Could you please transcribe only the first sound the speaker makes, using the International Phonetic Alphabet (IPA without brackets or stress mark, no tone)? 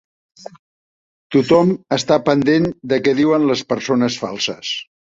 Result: t̪